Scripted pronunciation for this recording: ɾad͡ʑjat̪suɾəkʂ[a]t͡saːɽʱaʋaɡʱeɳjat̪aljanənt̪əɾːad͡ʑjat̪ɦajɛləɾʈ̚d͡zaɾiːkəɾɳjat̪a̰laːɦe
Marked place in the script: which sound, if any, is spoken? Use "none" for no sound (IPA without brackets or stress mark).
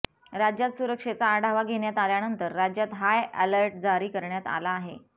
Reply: e